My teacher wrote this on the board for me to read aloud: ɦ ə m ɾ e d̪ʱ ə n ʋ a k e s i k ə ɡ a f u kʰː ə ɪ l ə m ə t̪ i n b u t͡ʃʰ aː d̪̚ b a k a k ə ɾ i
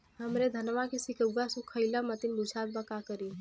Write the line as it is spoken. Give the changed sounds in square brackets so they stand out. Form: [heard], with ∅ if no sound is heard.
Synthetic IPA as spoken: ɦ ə m ɾ e d̪ʱ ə n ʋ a k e s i k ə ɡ a [s] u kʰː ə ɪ l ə m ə t̪ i n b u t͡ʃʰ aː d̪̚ b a k a k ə ɾ i

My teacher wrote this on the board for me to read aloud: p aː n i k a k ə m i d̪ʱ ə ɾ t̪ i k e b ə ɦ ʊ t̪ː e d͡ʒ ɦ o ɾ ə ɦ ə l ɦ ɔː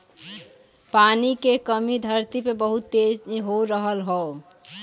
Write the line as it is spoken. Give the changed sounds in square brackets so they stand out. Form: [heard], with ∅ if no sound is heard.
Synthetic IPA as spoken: p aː n i k [e] k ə m i d̪ʱ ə ɾ t̪ i [p] e b ə ɦ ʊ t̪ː e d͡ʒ ɦ o ɾ ə ɦ ə l ɦ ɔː

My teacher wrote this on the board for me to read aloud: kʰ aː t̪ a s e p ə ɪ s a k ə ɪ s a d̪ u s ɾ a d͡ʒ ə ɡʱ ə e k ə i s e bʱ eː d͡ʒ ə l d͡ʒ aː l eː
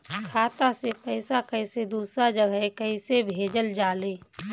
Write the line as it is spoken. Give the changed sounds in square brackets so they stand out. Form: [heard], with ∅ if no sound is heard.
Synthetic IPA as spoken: kʰ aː t̪ a s e p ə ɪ s a k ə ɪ s [e] d̪ [uː] s ɾ a d͡ʒ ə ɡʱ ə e k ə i s e bʱ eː d͡ʒ ə l d͡ʒ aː l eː

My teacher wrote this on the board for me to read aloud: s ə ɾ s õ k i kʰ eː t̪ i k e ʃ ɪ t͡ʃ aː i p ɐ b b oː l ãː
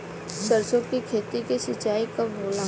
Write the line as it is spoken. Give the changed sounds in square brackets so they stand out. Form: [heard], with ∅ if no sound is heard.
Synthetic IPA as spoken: s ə ɾ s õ k i kʰ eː t̪ i k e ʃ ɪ t͡ʃ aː i [k] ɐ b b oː l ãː

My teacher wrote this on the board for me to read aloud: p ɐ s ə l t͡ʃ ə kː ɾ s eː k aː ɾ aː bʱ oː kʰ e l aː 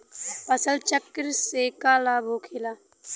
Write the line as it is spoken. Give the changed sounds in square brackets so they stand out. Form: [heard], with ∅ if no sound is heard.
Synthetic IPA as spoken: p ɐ s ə l t͡ʃ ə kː ɾ s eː k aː [l] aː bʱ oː kʰ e l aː

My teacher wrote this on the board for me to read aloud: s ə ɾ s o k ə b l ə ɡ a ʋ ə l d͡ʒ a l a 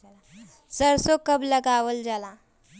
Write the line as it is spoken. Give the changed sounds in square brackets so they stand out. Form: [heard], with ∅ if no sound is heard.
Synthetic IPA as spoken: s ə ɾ s o k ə b l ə ɡ a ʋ ə l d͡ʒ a l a

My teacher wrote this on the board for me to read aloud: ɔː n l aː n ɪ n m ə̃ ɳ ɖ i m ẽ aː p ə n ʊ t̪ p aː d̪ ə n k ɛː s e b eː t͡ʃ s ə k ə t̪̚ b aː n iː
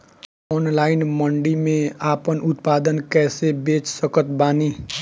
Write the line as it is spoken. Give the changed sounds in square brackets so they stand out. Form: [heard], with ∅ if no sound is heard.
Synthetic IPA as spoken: ɔː n l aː [∅] ɪ n m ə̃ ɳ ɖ i m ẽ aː p ə n ʊ t̪ p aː d̪ ə n k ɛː s e b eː t͡ʃ s ə k ə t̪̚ b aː n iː

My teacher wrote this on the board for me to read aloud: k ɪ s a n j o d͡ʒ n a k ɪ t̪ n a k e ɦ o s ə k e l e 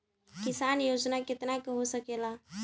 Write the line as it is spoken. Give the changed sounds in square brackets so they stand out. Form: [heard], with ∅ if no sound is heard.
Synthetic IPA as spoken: k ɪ s a n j o d͡ʒ n a k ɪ t̪ n a k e ɦ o s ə k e l [a]

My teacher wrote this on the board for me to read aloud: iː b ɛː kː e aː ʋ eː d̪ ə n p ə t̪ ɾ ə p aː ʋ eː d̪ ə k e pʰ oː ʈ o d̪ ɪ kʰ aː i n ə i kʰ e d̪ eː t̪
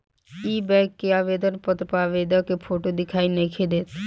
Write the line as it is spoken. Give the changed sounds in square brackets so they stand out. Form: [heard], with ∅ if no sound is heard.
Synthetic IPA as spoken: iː b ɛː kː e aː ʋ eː d̪ ə n p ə t̪ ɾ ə p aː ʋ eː d̪ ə k e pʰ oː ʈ o d̪ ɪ kʰ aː i n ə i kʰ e d̪ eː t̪

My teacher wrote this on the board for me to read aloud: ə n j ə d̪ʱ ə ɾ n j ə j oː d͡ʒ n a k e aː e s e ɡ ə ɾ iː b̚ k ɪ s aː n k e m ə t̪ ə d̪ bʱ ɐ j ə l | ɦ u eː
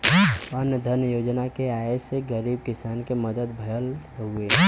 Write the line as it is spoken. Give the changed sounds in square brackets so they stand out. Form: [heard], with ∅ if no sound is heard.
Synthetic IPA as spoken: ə n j ə d̪ʱ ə ɾ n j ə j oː d͡ʒ n a k e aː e s e ɡ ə ɾ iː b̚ k ɪ s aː n k e m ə [d̪] ə d̪ bʱ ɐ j ə l | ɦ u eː

